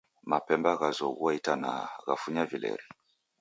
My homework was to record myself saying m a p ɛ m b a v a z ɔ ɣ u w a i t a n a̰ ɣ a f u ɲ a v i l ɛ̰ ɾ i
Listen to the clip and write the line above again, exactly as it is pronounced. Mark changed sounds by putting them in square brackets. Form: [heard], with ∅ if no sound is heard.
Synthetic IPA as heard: m a p ɛ m b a [ɣ] a z ɔ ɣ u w a i t a n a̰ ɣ a f u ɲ a v i l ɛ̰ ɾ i